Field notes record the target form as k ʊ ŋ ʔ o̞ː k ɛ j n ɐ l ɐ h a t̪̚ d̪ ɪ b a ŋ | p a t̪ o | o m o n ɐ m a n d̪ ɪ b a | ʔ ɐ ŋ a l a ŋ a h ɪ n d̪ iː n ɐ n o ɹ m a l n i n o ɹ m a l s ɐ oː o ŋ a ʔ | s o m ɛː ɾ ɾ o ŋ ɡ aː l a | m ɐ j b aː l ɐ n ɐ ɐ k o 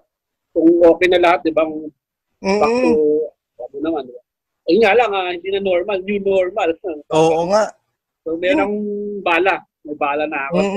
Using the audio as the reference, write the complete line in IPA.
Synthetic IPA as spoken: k ʊ ŋ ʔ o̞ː k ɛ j n ɐ l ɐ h a t̪̚ d̪ ɪ b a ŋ | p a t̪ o | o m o n ɐ m a n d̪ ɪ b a | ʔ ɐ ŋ a l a ŋ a h ɪ n d̪ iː n ɐ n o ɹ m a l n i n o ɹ m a l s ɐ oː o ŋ a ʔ | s o m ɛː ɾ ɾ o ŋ b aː l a | m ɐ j b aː l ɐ n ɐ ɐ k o